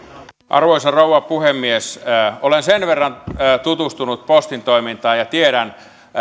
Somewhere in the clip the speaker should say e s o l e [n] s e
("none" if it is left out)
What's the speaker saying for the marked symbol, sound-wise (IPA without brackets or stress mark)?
n